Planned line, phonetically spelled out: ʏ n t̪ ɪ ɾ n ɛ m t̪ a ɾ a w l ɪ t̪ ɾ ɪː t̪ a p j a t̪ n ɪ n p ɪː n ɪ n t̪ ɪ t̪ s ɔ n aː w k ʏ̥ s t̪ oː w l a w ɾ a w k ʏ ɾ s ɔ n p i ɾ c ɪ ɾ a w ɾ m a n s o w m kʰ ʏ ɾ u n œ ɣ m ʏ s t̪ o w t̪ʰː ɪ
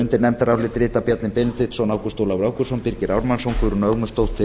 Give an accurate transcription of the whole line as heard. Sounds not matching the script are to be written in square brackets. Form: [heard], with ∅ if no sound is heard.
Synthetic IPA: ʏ n t̪ ɪ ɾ n ɛ m t̪ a ɾ a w l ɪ t̪ ɾ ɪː t̪ a p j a t̪ n ɪ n p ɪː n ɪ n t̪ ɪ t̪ s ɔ n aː w k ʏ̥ s t̪ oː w l a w ɾ a w k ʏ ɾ s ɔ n p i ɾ c ɪ ɾ a w ɾ m a n s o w [ŋ] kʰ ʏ ɾ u n œ ɣ m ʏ s t̪ o w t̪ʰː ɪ